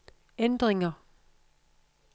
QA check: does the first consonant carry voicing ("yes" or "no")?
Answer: yes